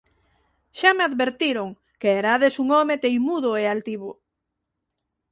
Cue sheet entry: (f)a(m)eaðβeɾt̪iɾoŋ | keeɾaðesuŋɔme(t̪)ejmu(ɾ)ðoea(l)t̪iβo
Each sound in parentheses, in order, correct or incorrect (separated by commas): incorrect, correct, correct, incorrect, correct